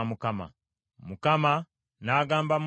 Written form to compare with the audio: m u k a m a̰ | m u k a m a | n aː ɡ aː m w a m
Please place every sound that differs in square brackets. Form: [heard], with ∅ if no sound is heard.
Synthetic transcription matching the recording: m u k a m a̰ | m u k a m a | n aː ɡ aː m [b] a m